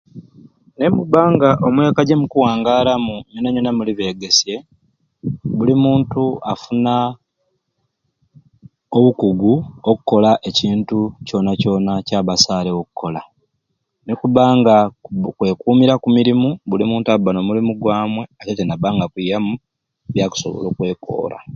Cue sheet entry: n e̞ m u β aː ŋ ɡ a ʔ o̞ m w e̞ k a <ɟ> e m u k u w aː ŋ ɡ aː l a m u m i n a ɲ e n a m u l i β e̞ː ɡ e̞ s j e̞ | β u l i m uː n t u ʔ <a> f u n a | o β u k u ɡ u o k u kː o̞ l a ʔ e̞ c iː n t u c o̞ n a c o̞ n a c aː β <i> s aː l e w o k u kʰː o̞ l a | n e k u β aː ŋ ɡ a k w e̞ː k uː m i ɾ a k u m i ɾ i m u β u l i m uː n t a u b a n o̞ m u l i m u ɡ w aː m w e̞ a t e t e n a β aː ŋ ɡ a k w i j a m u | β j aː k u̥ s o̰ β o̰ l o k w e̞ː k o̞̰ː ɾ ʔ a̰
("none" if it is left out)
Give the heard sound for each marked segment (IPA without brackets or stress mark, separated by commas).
ɟ, a, a